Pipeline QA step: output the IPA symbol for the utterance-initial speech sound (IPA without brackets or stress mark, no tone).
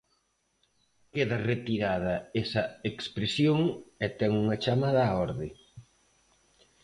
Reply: k